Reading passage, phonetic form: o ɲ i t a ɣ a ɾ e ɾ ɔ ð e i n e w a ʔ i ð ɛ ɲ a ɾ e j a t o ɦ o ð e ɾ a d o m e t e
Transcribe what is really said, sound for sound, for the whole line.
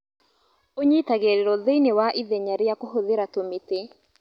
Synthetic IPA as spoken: o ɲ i t a ɣ e ɾ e ɾ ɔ ð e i n e w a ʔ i ð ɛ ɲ a ɾ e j a k o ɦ o ð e ɾ a t o m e t e